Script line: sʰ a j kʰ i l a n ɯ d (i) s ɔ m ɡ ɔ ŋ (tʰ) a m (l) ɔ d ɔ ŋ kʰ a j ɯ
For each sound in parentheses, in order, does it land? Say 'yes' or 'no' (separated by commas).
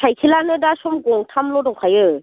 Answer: no, yes, yes